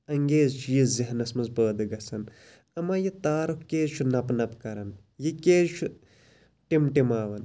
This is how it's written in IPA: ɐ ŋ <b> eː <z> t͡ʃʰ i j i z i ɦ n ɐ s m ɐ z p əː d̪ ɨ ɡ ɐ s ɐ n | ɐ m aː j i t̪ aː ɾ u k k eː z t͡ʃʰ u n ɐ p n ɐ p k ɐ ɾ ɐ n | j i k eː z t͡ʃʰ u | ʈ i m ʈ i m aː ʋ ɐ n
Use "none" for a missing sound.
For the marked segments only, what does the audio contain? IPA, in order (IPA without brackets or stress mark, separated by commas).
ɡ, z